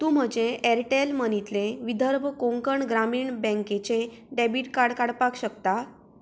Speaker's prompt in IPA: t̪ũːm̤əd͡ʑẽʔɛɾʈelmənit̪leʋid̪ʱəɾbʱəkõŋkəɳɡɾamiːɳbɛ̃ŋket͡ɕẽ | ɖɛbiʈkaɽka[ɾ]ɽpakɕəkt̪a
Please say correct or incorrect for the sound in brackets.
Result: incorrect: none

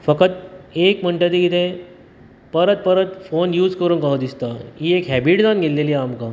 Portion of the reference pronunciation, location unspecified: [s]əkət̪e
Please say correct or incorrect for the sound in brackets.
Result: incorrect: f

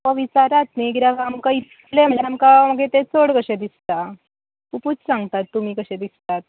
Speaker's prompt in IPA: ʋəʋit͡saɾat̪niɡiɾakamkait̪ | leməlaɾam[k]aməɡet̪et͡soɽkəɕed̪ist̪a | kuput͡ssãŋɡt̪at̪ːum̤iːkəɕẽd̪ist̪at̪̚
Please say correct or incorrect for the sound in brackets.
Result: correct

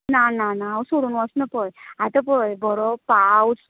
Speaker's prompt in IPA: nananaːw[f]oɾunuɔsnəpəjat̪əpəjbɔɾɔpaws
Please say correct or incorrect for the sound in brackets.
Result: incorrect: s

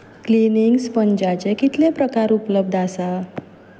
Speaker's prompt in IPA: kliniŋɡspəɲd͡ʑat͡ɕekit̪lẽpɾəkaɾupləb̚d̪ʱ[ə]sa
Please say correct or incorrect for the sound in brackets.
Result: incorrect: a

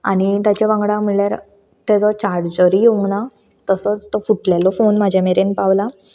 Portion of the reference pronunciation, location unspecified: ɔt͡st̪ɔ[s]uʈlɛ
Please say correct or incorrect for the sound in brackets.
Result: incorrect: f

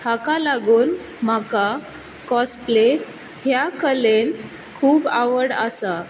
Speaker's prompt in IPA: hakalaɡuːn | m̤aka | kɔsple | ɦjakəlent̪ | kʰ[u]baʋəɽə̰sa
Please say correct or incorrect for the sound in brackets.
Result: incorrect: uː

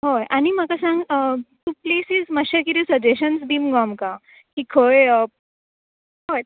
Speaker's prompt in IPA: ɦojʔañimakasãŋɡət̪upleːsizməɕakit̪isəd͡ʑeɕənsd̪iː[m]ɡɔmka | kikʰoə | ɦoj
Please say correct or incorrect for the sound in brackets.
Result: correct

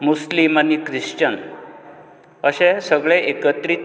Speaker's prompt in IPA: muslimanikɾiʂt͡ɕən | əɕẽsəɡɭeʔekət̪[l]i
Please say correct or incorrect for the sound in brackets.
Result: incorrect: ɾ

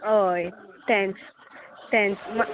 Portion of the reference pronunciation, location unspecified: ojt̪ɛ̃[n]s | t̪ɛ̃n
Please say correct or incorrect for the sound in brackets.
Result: correct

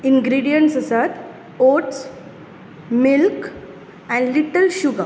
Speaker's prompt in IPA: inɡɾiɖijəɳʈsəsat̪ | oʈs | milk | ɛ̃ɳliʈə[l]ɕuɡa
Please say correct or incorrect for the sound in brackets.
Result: correct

